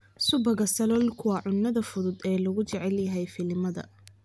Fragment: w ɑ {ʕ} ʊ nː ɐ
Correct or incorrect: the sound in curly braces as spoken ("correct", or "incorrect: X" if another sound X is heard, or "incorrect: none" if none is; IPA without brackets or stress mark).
correct